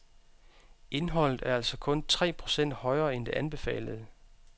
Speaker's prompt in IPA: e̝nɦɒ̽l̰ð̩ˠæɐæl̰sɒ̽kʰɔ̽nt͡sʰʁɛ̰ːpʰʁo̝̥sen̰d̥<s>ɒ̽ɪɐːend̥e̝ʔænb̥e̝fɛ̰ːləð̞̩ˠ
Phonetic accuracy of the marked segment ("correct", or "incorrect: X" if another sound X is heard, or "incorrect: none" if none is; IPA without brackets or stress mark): incorrect: h